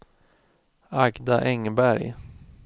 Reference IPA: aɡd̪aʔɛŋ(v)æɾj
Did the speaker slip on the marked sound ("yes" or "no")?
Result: yes